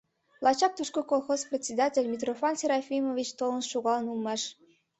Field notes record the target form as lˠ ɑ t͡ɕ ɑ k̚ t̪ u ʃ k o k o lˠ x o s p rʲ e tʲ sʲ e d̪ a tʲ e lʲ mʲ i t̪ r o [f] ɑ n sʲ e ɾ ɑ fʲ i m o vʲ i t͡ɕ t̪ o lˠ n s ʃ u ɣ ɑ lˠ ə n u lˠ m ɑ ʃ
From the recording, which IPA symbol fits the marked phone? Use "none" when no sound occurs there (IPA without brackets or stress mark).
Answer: f